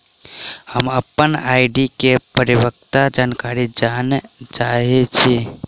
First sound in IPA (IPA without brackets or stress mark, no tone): h